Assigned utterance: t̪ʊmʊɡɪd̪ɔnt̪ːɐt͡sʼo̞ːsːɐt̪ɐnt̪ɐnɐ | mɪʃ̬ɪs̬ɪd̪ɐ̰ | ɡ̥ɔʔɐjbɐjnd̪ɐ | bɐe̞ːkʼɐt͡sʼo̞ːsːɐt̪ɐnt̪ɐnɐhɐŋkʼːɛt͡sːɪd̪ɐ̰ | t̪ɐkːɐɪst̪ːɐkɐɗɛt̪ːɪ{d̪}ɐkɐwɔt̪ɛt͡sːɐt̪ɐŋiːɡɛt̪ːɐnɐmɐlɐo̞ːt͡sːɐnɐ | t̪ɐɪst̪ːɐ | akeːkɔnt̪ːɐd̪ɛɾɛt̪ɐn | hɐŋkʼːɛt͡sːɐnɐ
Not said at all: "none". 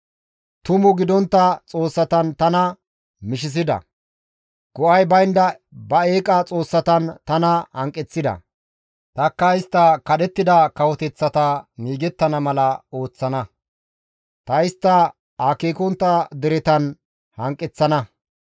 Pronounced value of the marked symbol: d̪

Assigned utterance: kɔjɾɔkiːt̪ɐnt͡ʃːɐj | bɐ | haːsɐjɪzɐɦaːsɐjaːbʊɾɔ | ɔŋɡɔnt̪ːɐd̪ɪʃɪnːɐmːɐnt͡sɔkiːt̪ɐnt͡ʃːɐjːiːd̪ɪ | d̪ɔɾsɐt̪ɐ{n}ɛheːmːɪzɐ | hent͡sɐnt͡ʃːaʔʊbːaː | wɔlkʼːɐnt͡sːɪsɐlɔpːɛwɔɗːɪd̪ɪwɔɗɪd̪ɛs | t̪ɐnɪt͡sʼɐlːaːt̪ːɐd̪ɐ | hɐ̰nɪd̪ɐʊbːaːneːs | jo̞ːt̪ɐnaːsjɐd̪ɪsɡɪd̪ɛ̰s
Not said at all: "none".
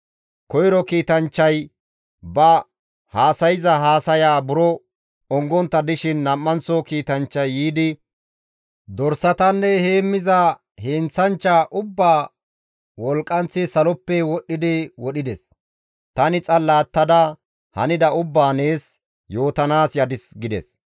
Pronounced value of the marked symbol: nː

